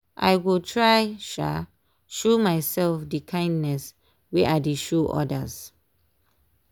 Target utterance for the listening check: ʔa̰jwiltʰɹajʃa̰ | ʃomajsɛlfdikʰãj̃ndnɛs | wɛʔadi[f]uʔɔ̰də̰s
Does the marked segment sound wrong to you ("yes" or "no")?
yes